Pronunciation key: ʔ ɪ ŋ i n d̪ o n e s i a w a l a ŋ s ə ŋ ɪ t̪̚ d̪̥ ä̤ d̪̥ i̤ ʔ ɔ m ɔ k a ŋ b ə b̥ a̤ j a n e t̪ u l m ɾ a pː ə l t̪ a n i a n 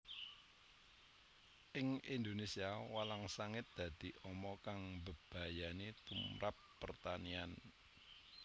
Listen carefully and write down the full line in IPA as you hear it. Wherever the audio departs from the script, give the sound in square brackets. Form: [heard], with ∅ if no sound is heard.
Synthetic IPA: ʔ ɪ ŋ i n d̪ o n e s i a w a l a ŋ s [a] ŋ ɪ t̪̚ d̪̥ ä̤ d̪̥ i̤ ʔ ɔ m ɔ k a ŋ b ə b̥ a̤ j a n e t̪ u [∅] m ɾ a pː ə [r] t̪ a n i a n